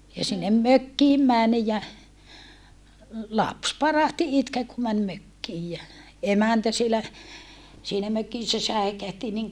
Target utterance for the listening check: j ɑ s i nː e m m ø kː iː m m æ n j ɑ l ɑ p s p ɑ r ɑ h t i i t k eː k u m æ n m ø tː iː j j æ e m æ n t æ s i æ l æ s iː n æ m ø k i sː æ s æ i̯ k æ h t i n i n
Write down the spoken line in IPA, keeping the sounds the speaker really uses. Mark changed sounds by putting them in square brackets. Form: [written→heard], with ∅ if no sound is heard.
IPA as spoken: j ɑ s i nː e m m ø kː iː m m æ n j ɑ l ɑ p s p ɑ r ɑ h t i i t k eː k u m æ n m ø [tː→kː] iː j j æ e m æ n t æ s i [æ→e] l æ s iː n æ m ø k i sː æ s æ i̯ k æ h t i n i [n→ŋ]

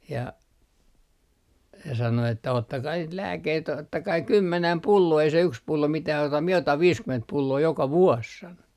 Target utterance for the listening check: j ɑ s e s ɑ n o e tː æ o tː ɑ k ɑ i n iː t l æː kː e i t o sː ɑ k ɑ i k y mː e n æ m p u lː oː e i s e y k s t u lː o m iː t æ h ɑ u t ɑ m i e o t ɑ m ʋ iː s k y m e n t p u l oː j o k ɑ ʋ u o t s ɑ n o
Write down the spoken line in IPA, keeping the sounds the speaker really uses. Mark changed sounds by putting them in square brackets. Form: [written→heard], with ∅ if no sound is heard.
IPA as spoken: j ɑ s e s ɑ n o e tː æ o tː ɑ k ɑ i n iː t l æː kː e i t o [sː→tː] ɑ k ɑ i k y mː e n æ m p u lː oː e i s e y k s [t→p] u lː o m [iː→i] t æ h ɑ u t ɑ m i e o t ɑ m ʋ iː s k y m e n t p u [l→lː] oː j o k ɑ ʋ u o [t→s] s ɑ n o

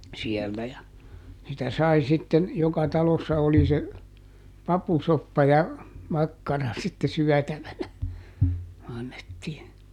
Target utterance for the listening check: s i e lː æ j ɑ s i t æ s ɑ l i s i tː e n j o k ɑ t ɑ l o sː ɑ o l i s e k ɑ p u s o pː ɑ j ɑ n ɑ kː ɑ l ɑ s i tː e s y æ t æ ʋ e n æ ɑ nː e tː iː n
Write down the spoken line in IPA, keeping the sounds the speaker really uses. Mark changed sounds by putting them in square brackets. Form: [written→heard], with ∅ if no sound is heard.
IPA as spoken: s i e lː æ j ɑ s i t æ s ɑ [l→∅] i s i tː e n j o k ɑ t ɑ l o sː ɑ o l i s e [k→p] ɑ p u s o pː ɑ j ɑ [n→m] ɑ kː ɑ [l→r] ɑ s i tː e s y æ t æ ʋ [e→æ] n æ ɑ nː e tː iː n

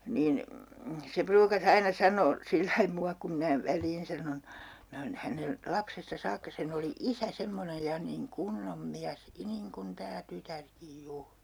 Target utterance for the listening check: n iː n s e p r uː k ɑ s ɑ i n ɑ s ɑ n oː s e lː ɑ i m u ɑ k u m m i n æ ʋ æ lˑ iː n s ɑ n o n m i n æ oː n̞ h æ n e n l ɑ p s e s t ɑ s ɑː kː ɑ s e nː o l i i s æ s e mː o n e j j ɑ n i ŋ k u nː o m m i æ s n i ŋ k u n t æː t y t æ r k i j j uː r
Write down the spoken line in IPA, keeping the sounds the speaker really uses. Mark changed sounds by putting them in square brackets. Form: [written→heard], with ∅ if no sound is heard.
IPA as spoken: n iː n s e p r uː k ɑ s ɑ i n ɑ s ɑ n oː s [e→i] lː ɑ i m u ɑ k u m m i n æ ʋ æ lˑ iː n s ɑ n o n m i n æ oː n̞ h æ n e n l ɑ p s e s t ɑ s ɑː kː ɑ s e [nː→n] o l i i s æ s e mː o n e j j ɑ n i ŋ k u nː o m m i æ s n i ŋ k u n t æː t y t æ r k i j j uː r

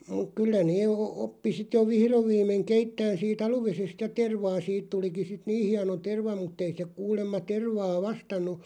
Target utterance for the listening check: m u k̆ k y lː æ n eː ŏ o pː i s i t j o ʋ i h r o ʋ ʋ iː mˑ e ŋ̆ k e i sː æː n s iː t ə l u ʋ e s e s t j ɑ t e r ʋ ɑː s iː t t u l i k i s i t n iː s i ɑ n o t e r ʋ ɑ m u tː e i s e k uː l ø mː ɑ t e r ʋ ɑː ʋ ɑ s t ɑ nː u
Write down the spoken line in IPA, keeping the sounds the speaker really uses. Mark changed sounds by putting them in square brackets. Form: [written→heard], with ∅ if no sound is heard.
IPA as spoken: m u k̆ k y lː æ n eː ŏ o pː i s i t j o ʋ i h r o ʋ ʋ iː mˑ e ŋ̆ k e i [sː→tː] æː n s iː t [ə→ɑ] l u ʋ e s e s t j ɑ t e r ʋ ɑː s iː t t u l i k i s i t n iː [s→h] i ɑ n o t e r ʋ ɑ m u tː e i s e k uː l [ø→e] mː ɑ t e r ʋ ɑː ʋ ɑ s t ɑ nː u

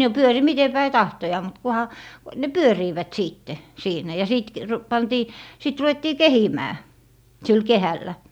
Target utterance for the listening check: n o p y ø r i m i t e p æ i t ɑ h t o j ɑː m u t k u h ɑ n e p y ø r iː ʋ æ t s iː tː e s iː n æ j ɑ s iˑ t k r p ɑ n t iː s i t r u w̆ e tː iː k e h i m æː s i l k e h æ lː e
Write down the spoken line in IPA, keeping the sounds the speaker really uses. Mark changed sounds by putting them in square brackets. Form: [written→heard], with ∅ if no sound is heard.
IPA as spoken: n o p y ø r i m i t e p æ i t ɑ h t o j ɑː m u t k u h ɑ n e p y ø r iː ʋ æ t s iː tː e s iː n æ j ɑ s iˑ t k r p ɑ n t iː s i t r u w̆ e tː iː k e h i m æː s i l k e h æ lː [e→æ]

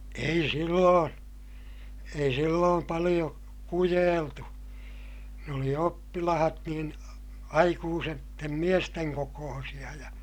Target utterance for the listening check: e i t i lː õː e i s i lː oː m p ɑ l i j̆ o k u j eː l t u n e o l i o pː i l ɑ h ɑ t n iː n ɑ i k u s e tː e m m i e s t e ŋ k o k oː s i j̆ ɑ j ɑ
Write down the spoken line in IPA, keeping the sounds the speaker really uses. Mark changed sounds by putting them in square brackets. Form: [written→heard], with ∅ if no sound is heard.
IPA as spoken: e i [t→s] i lː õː e i s i lː oː m p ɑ l i j̆ o k u j eː l t u n e o l i o pː i l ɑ h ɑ t n iː n ɑ i k [u→uː] s e tː e m m i e s t e ŋ k o k oː s i j̆ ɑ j ɑ

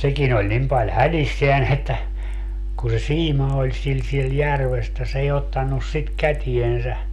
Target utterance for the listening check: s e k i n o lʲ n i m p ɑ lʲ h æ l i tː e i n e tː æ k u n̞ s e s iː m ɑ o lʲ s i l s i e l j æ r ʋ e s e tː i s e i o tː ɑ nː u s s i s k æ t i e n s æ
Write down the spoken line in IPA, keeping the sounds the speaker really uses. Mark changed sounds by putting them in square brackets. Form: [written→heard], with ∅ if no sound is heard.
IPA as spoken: s e k i n o lʲ n i m p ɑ lʲ h æ l i [tː→sː] e [i→æ] n e tː æ k u n̞ s e s iː m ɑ o lʲ s i l s i e l j æ r ʋ e s e tː [i→æ] s e i o tː ɑ nː u s s i [s→t] k æ t i e n s æ

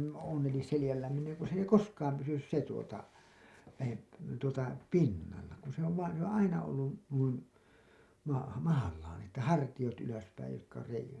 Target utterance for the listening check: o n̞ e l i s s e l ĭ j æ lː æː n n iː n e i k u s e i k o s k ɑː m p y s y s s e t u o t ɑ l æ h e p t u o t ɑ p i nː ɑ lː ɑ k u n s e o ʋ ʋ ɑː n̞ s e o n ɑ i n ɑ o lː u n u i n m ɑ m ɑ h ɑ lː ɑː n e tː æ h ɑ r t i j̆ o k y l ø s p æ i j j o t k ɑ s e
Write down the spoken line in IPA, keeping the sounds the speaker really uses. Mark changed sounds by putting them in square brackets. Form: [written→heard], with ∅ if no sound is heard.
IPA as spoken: o n̞ e l i s s e l ĭ j æ lː æː n n iː n e i k u s e i k o s k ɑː m p y s y s s e t u o t ɑ l æ h e p t u o t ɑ p i nː ɑ lː ɑ k u n s e o ʋ ʋ ɑː n̞ s e o n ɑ i n ɑ o lː u n u i n m ɑ m ɑ h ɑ lː ɑː n e tː æ h ɑ r t i j̆ o [k→t] y l ø s p æ i j j o t k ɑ s e

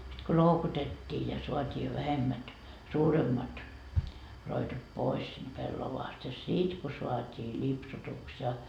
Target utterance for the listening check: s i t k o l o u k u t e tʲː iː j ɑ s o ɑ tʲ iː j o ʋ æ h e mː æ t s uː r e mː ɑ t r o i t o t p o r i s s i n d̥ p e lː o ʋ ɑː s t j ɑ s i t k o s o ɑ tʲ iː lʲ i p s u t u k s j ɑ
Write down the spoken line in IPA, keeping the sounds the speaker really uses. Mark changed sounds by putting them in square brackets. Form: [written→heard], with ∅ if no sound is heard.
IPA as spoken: s i t k o l o u k u t e tʲː iː j ɑ s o ɑ tʲ iː j o ʋ æ h e mː æ t s uː r e mː ɑ t r o i t o t p o [r→∅] i s s i n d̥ p e lː o ʋ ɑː s t j ɑ s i t k o s o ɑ tʲ iː lʲ i p s u t u k s j ɑ

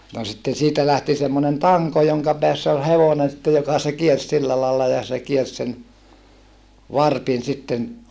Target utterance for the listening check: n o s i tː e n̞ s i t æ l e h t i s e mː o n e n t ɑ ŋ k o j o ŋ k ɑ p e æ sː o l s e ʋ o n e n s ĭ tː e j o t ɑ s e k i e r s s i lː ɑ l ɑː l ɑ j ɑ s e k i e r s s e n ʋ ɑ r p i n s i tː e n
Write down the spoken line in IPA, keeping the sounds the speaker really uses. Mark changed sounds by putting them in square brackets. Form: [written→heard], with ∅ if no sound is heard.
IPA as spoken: n o s i tː e n̞ s [i→iː] t æ l [e→æ] h t i s e mː o n e n t ɑ ŋ k o j o ŋ k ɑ p e æ sː o l [s→h] e ʋ o n e n s ĭ tː e j o [t→k] ɑ s e k i e r s s i lː ɑ l ɑː [l→lː] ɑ j ɑ s e k i e r s s e n ʋ ɑ r p i n s i tː e n

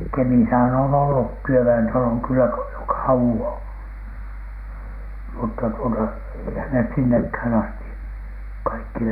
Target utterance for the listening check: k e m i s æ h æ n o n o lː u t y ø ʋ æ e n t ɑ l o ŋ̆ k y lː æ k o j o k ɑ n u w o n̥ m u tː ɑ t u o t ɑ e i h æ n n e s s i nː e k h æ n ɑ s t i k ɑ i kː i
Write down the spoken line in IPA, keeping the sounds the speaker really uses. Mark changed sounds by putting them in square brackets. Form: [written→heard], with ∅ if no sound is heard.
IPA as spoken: k e m i s æ h æ n o n o lː u t y ø ʋ æ e n t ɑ l o ŋ̆ k y lː æ k o j o k ɑ [n→∅] u w o n̥ m u tː ɑ t u o t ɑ e i h æ n n e s s i nː e k h æ n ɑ s t i k ɑ i kː i

